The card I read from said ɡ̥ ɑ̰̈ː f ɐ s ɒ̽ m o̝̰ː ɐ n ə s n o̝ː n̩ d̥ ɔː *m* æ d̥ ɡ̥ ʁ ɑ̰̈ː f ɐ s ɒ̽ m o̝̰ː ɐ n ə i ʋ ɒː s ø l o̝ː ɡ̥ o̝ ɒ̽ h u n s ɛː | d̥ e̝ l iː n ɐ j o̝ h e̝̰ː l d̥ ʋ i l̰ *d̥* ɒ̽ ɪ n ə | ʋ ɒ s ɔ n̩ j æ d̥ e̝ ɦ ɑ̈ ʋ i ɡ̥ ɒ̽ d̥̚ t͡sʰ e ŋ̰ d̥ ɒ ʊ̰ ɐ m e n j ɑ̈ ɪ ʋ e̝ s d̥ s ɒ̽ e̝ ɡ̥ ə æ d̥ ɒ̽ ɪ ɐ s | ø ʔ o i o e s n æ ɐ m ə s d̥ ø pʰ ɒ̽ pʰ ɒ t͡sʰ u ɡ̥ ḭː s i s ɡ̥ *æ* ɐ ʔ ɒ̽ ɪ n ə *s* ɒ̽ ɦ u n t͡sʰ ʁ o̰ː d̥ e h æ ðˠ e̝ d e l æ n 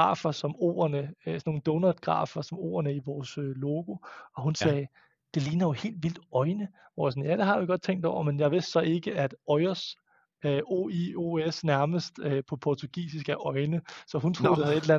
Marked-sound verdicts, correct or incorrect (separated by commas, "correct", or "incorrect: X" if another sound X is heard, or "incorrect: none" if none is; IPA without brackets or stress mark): incorrect: n, correct, correct, correct